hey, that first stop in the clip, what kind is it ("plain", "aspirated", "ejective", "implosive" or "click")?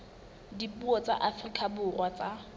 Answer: plain